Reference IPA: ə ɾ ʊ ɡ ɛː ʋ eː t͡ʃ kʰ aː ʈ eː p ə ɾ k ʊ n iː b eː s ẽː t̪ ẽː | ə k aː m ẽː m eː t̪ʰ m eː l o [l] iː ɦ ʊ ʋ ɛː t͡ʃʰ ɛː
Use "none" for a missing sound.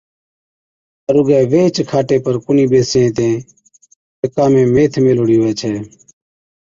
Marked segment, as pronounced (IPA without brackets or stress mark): ɽ